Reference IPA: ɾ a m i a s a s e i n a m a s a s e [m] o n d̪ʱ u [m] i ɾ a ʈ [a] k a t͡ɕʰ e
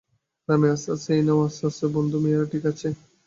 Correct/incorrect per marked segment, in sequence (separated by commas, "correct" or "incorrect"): incorrect, correct, incorrect